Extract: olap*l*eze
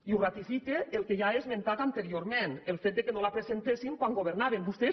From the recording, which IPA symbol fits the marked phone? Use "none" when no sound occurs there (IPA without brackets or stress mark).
ɾ